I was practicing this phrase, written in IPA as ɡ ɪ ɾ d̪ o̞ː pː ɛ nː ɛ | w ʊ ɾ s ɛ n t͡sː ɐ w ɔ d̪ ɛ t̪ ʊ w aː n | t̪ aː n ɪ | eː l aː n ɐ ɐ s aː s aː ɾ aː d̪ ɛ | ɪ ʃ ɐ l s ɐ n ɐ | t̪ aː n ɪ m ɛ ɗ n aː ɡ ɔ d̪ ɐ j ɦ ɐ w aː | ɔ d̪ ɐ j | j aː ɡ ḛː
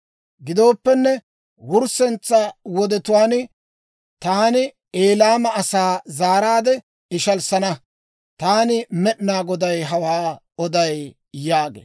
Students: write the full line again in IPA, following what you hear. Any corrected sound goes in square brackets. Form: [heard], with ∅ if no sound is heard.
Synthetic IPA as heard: ɡ ɪ [∅] d̪ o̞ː pː ɛ nː ɛ | w ʊ ɾ s ɛ n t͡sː ɐ w ɔ d̪ ɛ t̪ ʊ w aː n | t̪ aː n ɪ | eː l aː [m] ɐ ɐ s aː [z] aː ɾ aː d̪ ɛ | ɪ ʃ ɐ l s ɐ n ɐ | t̪ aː n ɪ m ɛ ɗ n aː ɡ ɔ d̪ ɐ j ɦ ɐ w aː | ɔ d̪ ɐ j | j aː ɡ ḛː